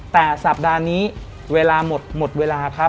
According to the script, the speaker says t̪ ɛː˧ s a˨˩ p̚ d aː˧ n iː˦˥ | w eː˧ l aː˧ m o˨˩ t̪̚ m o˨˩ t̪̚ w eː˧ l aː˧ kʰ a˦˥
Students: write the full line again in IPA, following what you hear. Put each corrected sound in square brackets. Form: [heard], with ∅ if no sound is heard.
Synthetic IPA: t̪ [ɛː˨˩] s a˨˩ p̚ d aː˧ n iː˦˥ | w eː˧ l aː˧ m o˨˩ t̪̚ m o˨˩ t̪̚ w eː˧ l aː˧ kʰ a˦˥